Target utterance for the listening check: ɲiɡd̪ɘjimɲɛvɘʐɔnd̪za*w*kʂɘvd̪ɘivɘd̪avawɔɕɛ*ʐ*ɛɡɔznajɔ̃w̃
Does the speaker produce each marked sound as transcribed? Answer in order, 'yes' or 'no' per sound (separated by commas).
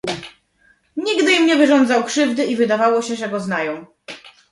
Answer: yes, yes